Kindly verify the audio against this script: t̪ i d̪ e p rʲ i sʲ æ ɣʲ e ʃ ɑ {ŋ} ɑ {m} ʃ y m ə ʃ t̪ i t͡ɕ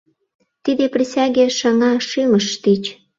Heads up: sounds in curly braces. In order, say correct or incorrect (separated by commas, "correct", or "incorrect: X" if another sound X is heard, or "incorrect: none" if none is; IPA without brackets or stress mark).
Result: correct, incorrect: none